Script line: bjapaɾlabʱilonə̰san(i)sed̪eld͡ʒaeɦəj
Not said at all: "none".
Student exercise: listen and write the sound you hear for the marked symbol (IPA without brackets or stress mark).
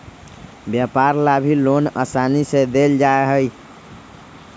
i